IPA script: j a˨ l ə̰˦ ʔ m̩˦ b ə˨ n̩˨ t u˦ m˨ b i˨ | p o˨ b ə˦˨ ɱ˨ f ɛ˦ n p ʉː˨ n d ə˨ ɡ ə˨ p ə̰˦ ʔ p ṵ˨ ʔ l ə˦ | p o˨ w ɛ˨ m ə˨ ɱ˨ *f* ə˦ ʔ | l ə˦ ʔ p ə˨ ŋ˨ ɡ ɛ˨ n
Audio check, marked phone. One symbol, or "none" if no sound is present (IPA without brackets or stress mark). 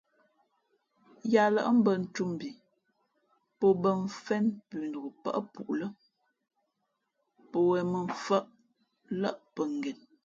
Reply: f